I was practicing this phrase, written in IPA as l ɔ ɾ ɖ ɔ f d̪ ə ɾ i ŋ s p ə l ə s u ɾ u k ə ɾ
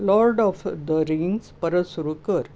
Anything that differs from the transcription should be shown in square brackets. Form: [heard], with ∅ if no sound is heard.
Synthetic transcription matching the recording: l ɔ ɾ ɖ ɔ f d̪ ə ɾ i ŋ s p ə [ɾ] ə s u ɾ u k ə ɾ